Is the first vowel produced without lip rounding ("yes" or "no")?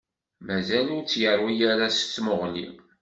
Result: yes